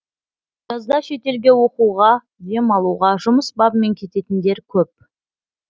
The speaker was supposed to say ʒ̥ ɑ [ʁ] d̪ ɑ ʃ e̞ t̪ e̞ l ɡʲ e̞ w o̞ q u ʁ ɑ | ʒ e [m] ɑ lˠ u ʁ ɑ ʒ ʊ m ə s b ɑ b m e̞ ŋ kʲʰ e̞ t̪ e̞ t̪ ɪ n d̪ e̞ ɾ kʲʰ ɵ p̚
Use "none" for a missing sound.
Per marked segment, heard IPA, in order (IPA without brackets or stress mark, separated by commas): z, m